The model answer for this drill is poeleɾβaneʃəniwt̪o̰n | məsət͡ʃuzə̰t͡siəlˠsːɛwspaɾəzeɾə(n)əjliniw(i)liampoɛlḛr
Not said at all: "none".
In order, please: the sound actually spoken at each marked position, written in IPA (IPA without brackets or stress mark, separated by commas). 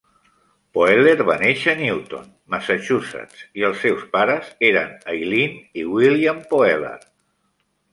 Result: n, i